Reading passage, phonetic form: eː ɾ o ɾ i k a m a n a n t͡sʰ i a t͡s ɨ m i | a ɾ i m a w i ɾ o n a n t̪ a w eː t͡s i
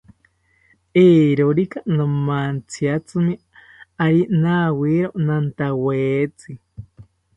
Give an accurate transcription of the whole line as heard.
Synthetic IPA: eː ɾ o ɾ i k a n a m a n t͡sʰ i a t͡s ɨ m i | a ɾ i n a w i ɾ o n a n t̪ a w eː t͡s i